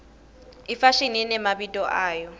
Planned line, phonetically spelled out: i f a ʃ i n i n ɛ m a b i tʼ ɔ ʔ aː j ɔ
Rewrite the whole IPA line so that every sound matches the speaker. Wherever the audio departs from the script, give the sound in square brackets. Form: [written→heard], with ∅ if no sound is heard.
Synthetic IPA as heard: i f a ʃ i n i n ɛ m a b i tʼ ɔ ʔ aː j ɔ